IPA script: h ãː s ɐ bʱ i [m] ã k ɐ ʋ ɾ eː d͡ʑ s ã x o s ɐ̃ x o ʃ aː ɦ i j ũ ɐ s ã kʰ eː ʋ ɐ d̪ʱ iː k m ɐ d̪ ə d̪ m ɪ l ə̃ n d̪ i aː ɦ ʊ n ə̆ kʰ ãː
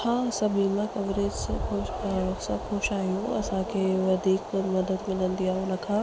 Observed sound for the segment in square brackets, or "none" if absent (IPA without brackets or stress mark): m